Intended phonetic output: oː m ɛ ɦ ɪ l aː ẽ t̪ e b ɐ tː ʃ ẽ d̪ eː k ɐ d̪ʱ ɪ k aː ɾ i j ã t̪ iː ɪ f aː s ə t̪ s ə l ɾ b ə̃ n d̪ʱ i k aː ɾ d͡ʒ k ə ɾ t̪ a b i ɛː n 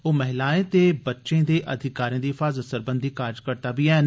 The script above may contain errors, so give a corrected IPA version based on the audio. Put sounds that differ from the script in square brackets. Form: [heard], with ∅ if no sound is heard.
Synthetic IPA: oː m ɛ ɦ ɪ l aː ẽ t̪ e b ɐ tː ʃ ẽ d̪ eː [ʔ] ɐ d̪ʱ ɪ k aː ɾ i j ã [d̪] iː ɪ f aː [z] ə t̪ s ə [∅] ɾ b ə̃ n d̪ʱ i k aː ɾ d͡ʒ k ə ɾ t̪ a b i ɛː n